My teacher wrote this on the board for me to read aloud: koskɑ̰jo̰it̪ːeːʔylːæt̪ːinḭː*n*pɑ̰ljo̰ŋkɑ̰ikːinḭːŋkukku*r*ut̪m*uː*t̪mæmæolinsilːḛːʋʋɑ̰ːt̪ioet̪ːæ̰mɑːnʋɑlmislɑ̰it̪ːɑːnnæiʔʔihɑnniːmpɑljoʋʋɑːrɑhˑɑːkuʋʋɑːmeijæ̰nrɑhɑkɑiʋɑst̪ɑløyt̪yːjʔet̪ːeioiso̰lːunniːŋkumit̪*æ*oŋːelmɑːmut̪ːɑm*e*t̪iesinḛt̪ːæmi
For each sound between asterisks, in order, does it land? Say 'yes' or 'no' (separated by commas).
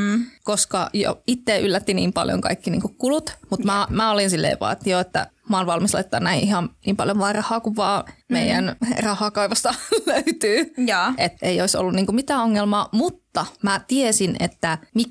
no, no, no, no, no